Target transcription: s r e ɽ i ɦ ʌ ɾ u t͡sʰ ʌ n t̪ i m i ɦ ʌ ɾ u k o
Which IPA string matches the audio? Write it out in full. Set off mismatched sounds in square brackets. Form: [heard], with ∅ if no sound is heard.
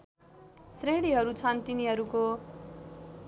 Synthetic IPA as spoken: s r e ɽ i ɦ ʌ ɾ u t͡sʰ ʌ n t̪ i [n] i ɦ ʌ ɾ u k o